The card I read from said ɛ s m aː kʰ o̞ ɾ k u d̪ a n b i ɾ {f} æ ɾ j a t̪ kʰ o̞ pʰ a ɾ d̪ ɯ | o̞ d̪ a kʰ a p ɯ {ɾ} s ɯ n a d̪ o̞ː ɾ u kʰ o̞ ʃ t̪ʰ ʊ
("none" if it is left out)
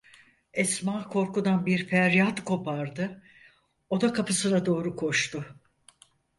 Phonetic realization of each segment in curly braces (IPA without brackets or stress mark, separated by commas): f, none